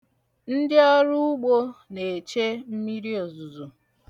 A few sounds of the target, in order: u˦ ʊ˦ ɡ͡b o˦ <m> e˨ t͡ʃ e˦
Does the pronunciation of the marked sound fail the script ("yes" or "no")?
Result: yes